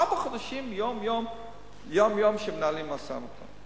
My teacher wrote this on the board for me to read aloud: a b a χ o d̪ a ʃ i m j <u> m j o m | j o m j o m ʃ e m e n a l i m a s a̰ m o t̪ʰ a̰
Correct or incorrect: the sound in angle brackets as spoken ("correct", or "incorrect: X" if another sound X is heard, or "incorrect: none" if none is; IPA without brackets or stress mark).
incorrect: o